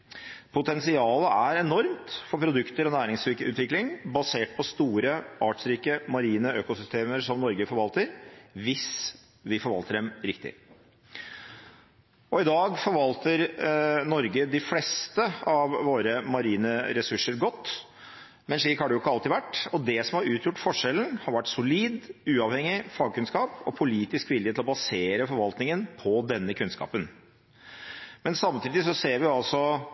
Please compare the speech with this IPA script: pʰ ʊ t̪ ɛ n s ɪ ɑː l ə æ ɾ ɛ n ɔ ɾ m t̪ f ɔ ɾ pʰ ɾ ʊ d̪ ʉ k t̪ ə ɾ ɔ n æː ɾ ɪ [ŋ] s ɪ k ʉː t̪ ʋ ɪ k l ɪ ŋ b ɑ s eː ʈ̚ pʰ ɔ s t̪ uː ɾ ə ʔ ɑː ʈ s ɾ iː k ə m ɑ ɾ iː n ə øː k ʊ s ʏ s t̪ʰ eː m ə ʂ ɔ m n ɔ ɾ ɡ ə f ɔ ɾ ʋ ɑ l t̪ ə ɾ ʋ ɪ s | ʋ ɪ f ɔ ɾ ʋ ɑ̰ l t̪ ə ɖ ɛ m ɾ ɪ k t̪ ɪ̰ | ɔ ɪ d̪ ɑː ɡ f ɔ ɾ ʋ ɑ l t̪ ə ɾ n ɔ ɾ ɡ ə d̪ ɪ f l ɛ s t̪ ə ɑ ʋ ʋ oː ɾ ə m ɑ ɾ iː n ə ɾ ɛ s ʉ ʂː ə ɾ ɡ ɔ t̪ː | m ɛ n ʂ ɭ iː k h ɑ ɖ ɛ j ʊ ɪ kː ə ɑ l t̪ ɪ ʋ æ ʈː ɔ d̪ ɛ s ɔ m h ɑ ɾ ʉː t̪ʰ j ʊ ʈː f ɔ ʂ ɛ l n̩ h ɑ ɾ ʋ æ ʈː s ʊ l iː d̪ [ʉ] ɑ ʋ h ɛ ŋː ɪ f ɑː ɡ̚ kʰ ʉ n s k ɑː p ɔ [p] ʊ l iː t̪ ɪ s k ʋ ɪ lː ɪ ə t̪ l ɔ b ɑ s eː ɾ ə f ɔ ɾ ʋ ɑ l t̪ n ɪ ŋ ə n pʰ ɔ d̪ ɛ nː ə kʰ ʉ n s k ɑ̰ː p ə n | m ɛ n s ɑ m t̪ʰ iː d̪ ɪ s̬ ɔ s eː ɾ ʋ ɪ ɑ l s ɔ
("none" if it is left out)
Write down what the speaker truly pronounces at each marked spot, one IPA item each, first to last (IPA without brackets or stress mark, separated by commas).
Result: ŋ, ʉː, pʰ